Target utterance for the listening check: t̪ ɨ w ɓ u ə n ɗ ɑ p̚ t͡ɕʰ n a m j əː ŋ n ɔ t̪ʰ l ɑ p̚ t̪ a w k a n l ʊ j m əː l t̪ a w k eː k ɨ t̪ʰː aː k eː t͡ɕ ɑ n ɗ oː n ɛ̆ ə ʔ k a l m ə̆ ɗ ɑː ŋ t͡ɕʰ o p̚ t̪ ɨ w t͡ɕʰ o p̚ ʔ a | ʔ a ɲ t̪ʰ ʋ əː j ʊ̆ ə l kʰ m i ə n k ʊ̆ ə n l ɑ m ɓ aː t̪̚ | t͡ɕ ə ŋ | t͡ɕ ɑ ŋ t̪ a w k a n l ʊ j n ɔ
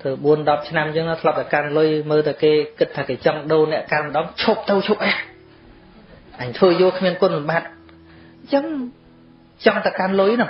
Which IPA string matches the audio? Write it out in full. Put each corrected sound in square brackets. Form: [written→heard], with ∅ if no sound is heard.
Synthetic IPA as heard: t̪ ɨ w ɓ u ə n ɗ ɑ p̚ t͡ɕʰ n a m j əː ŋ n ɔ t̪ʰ l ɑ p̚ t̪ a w k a n l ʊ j m əː l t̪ a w k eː k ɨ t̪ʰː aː k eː t͡ɕ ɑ [n→ŋ] ɗ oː n ɛ̆ ə ʔ k a l m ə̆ ɗ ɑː ŋ t͡ɕʰ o p̚ t̪ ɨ w t͡ɕʰ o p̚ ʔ a | ʔ a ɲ t̪ʰ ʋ əː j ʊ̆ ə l kʰ m i ə n k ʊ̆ ə n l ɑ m ɓ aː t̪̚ | t͡ɕ ə ŋ | t͡ɕ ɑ ŋ t̪ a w k a n l ʊ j n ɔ